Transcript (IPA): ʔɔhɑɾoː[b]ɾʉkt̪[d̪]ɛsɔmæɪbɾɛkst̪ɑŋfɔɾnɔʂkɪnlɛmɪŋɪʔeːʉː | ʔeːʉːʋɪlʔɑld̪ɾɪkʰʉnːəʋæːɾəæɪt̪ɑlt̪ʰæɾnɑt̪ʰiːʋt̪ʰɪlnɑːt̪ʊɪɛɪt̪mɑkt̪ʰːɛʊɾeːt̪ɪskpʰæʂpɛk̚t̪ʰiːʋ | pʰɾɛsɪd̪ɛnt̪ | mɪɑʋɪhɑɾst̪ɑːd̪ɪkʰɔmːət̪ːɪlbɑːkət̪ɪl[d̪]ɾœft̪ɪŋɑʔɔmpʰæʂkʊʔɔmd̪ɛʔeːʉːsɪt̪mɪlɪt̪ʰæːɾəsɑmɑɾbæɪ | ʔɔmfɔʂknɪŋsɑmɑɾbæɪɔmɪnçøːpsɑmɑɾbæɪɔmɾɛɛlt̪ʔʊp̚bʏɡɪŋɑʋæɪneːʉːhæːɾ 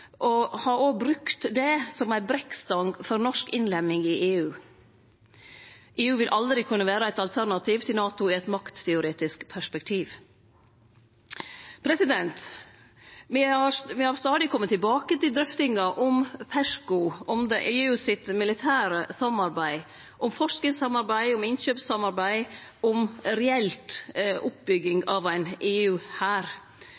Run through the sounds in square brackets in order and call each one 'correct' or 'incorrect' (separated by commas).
correct, correct, correct